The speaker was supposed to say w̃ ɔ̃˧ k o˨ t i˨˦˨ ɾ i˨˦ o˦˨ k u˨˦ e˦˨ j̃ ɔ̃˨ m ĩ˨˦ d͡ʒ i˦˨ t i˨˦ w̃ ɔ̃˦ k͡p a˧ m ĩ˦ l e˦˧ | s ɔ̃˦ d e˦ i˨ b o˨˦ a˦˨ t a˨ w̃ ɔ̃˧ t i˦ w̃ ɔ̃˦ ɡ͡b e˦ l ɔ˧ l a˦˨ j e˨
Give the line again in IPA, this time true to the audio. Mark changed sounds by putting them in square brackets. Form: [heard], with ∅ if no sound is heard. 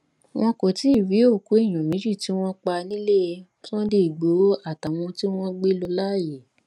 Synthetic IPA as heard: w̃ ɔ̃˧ k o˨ t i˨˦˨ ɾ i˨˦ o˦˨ k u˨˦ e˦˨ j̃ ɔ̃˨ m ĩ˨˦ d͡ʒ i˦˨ t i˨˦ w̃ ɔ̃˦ k͡p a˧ [n] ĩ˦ l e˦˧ | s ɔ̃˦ d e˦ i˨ [ɡ͡b] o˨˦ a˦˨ t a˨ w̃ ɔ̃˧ t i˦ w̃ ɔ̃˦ ɡ͡b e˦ l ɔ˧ l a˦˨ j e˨